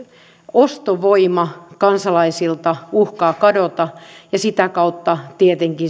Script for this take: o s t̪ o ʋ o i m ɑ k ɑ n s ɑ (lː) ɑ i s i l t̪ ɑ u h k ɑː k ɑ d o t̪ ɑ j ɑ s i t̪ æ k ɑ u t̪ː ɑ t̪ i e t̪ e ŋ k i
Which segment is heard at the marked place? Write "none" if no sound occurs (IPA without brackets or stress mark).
l